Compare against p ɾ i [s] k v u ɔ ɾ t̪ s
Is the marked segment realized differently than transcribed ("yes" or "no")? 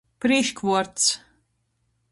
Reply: yes